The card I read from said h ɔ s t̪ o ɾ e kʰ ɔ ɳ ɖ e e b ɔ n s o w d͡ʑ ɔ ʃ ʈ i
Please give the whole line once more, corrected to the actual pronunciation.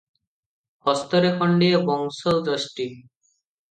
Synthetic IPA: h ɔ s t̪ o ɾ e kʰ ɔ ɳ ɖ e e b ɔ ŋ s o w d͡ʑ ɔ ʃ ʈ i